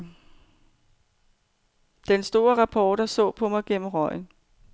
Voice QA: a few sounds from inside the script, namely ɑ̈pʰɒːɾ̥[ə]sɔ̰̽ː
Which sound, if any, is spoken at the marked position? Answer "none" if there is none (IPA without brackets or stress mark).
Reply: ɐ